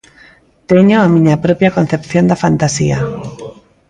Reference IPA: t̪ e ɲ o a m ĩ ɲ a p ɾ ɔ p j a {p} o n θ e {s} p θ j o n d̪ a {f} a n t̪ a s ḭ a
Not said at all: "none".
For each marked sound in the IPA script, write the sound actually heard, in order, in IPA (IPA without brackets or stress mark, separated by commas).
k, none, f